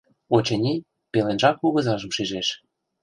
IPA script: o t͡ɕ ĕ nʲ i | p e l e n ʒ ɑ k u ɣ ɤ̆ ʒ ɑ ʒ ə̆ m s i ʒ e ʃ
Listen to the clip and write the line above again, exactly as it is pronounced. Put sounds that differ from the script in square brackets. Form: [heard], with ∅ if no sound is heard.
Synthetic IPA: o t͡ɕ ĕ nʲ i | p e l e n ʒ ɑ k u ɣ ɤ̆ [z] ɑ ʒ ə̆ m [ʃ] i ʒ e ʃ

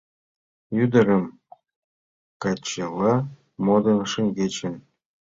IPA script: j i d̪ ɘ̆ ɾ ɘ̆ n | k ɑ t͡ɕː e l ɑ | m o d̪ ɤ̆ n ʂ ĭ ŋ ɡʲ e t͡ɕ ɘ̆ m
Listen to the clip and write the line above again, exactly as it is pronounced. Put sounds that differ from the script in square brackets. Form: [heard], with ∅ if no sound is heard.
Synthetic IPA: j [y] d̪ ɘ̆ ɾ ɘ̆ [m] | k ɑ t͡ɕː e l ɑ | m o d̪ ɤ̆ n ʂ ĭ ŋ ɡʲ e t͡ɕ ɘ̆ [n]

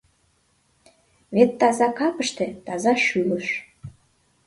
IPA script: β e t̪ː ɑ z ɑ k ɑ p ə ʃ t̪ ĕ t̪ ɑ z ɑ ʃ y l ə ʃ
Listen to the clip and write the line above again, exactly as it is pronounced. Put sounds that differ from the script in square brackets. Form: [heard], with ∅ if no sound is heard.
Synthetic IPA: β e t̪ː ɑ z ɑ k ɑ p ə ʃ t̪ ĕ t̪ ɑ z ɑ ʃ y l ə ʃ

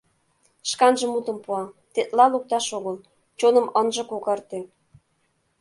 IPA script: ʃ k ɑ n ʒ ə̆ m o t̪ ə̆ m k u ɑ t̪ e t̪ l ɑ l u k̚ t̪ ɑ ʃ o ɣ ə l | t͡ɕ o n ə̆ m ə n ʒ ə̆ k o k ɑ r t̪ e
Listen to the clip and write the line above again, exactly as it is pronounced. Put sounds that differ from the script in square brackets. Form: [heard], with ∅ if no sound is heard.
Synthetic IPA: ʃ k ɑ n ʒ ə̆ m [u] t̪ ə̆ m [p] u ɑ t̪ e t̪ l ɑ l u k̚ t̪ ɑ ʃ o ɣ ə l | t͡ɕ o n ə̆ m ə n ʒ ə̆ k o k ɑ r t̪ e

